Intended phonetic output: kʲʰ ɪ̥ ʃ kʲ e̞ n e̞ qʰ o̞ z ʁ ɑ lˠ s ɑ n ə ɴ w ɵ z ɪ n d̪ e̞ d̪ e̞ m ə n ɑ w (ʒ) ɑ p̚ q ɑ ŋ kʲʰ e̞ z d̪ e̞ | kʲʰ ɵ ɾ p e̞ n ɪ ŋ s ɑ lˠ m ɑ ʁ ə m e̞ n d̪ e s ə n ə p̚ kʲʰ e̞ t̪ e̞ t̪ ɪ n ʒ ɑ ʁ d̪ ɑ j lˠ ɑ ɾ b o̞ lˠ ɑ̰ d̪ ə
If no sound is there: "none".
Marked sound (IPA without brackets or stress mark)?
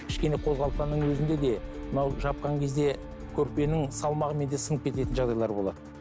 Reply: ʒ